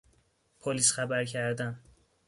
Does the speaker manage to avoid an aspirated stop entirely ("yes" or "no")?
no